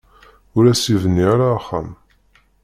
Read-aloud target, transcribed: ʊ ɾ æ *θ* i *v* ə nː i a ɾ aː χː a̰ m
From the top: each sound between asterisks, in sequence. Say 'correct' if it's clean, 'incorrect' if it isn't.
incorrect, correct

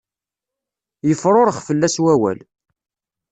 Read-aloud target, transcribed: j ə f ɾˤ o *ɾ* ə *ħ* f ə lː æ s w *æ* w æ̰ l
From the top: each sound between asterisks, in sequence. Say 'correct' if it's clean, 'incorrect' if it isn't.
correct, incorrect, correct

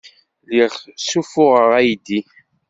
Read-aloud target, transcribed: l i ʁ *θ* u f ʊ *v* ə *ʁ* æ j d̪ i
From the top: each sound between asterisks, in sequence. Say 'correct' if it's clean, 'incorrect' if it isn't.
incorrect, incorrect, correct

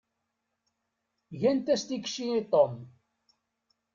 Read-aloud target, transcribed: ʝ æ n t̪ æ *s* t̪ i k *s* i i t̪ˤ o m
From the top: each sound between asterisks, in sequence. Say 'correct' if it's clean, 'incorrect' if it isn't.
correct, incorrect

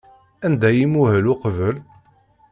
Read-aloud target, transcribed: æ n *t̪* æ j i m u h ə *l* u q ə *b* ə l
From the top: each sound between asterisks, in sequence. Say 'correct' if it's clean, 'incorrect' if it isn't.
incorrect, correct, incorrect

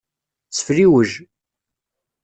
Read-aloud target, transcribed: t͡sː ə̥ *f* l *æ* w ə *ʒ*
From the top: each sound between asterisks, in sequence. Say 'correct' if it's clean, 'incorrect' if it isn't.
correct, incorrect, correct

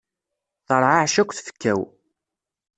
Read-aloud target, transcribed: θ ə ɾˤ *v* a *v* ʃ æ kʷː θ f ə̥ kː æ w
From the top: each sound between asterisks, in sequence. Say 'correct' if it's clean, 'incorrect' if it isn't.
incorrect, incorrect

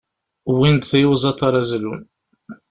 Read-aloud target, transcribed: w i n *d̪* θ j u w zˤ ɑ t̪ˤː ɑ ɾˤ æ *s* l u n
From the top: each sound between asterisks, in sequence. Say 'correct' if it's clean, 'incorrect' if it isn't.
correct, incorrect

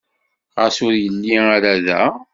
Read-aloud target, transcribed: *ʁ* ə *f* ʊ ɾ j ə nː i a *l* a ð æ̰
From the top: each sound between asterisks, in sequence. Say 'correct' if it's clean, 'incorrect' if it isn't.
correct, incorrect, incorrect

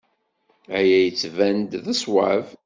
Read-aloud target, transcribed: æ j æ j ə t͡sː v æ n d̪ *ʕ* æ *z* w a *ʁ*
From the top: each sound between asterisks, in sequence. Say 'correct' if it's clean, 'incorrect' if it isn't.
incorrect, incorrect, incorrect

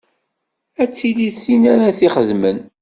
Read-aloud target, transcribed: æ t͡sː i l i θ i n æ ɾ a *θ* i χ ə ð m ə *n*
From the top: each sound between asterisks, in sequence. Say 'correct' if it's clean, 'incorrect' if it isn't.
correct, correct

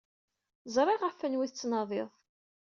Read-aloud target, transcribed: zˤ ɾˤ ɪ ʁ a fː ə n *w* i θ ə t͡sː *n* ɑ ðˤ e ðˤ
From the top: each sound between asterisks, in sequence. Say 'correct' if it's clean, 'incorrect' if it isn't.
correct, correct

